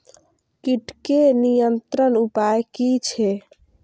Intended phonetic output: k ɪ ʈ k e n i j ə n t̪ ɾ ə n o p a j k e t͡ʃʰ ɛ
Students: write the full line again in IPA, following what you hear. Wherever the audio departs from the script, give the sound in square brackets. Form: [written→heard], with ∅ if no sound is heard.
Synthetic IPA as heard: k [ɪ→i] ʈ k e n i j ə n t̪ ɾ ə n [o→u] p a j k [e→i] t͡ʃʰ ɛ